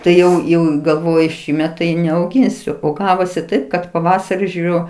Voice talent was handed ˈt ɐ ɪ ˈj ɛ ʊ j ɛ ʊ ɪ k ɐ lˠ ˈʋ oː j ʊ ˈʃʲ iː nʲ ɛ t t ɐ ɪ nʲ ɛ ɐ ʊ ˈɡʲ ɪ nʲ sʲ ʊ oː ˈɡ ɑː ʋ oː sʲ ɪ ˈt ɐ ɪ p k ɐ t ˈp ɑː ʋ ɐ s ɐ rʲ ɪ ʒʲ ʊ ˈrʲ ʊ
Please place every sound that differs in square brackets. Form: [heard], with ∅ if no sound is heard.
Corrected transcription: ˈt ɐ ɪ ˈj ɛ ʊ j ɛ ʊ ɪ [ɡ] ɐ lˠ ˈʋ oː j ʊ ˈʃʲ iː [mʲ] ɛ t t ɐ ɪ nʲ ɛ ɐ ʊ ˈɡʲ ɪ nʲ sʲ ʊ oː ˈɡ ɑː ʋ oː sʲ ɪ ˈt ɐ ɪ p k ɐ t ˈp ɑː ʋ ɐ s ɐ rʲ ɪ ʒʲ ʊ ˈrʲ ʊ